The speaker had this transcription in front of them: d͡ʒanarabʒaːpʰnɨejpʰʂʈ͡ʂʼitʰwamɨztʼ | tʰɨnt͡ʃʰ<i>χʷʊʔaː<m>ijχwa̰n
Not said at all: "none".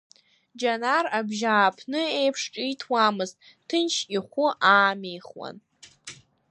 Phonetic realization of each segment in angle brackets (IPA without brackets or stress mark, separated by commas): i, m